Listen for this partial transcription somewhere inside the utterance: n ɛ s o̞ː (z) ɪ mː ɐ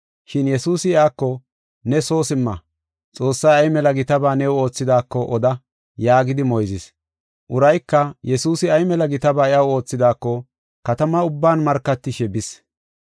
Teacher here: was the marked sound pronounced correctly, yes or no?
no